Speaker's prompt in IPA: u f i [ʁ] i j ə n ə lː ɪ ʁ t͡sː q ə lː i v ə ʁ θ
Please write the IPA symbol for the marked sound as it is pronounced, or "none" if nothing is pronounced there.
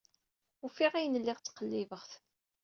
ʁ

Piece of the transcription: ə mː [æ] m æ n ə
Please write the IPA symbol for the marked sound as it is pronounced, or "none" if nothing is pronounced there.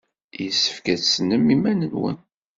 i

